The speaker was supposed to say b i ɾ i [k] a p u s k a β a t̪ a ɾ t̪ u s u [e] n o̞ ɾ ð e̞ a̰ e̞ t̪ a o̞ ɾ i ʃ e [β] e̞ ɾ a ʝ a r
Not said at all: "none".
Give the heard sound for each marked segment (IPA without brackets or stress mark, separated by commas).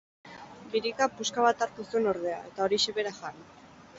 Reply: k, e, β